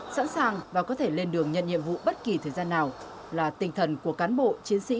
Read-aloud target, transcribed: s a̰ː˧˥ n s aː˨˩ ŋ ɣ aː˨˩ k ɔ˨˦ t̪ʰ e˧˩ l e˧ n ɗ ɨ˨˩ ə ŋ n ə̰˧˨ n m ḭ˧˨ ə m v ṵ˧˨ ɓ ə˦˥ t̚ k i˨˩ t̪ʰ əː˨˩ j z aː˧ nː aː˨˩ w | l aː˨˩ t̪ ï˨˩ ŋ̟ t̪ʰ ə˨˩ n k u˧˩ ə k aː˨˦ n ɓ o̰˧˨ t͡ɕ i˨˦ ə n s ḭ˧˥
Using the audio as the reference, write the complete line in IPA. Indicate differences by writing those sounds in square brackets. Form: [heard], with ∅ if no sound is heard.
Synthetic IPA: s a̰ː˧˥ n s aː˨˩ ŋ [v] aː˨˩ k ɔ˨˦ t̪ʰ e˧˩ l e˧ n ɗ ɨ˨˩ ə ŋ [ɲ] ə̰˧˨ n [ɲ] ḭ˧˨ ə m v ṵ˧˨ ɓ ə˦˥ t̚ k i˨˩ t̪ʰ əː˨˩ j z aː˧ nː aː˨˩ w | l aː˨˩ t̪ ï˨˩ ŋ̟ t̪ʰ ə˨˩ n k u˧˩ ə k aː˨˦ n ɓ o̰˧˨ t͡ɕ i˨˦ ə n s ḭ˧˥